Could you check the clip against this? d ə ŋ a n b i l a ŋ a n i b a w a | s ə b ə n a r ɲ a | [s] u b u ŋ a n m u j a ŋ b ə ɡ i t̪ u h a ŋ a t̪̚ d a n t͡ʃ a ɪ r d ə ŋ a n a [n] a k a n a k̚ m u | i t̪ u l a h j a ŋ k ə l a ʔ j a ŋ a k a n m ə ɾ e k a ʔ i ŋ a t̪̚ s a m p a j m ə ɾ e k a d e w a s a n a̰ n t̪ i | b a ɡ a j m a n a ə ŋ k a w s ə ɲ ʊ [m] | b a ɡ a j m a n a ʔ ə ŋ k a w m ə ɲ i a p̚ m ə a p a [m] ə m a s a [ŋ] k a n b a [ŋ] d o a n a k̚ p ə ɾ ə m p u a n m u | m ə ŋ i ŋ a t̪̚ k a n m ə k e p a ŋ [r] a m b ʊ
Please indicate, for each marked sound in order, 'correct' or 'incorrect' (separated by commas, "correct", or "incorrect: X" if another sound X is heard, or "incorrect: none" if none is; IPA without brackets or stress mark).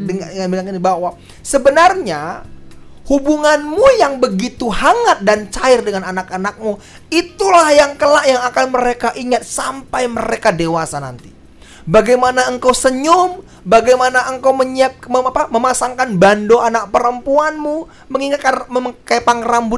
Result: incorrect: h, correct, correct, correct, correct, incorrect: n, correct